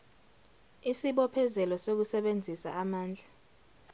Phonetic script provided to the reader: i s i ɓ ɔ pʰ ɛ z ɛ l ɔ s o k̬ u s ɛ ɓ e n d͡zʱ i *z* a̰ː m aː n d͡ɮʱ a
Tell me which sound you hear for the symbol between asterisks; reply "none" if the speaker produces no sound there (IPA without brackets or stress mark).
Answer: s